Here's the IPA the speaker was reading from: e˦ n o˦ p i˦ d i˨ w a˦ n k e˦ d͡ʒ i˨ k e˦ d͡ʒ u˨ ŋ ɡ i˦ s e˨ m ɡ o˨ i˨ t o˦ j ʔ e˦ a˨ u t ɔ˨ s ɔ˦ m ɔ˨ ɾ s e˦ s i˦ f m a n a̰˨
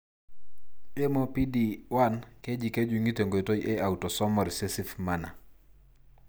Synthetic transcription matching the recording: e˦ m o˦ p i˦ d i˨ w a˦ n k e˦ d͡ʒ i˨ k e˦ d͡ʒ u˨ ŋ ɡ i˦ t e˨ ŋ ɡ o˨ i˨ t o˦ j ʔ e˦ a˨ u t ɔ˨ s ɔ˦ m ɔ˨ ɾ s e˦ s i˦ f m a n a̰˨